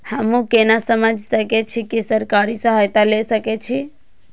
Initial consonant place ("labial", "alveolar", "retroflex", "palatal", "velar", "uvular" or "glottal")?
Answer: glottal